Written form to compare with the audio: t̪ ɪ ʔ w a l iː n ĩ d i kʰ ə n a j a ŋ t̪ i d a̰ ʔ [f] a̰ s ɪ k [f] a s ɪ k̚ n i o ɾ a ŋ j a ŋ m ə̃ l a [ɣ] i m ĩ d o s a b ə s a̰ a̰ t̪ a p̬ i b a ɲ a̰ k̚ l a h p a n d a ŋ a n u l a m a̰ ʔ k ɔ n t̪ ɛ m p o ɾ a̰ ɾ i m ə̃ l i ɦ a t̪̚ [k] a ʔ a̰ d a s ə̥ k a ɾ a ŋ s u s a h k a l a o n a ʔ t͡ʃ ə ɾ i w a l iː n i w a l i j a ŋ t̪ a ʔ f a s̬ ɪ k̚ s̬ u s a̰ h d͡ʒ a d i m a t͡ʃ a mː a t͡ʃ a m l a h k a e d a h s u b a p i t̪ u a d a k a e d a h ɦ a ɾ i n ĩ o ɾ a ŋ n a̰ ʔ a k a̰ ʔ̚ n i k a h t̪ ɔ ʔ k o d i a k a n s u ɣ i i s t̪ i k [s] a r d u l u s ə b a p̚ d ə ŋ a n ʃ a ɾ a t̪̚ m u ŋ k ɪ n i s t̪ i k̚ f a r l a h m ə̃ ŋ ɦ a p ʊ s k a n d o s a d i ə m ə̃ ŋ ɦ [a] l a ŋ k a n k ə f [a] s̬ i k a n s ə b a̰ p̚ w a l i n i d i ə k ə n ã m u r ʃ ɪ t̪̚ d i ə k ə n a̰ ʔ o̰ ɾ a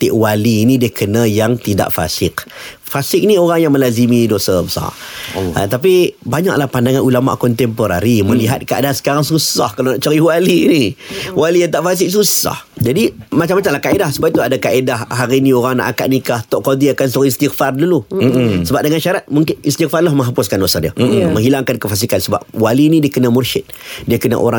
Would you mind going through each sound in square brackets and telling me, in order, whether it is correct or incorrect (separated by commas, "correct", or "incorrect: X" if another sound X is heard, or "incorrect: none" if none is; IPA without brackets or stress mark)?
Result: correct, correct, incorrect: z, correct, incorrect: f, incorrect: i, correct